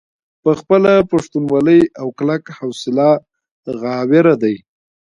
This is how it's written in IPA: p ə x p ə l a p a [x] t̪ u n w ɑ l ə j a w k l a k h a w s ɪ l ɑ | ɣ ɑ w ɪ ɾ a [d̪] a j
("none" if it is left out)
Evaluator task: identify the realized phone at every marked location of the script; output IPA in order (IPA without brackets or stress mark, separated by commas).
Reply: ʂ, d̪